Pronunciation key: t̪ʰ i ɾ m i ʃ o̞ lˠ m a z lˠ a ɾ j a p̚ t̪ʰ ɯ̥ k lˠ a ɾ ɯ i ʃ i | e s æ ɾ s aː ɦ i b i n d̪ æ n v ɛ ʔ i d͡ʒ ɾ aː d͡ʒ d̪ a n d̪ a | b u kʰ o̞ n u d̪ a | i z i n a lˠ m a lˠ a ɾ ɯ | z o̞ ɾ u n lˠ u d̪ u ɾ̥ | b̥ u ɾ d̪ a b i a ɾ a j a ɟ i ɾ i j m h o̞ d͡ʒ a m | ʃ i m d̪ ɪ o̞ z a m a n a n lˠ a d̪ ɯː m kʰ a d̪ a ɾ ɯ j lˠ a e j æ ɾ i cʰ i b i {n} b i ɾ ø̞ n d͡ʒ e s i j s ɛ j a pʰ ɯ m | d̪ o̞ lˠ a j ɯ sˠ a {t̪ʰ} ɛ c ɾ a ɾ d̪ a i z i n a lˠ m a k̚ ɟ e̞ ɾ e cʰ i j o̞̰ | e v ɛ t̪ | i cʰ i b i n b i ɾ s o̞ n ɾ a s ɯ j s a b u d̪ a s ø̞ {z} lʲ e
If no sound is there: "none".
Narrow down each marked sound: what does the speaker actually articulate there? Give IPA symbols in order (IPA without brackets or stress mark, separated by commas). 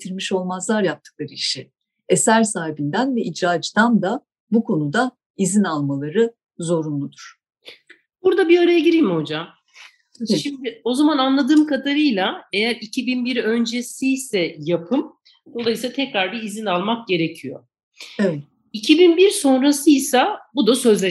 n, t̪ʰ, z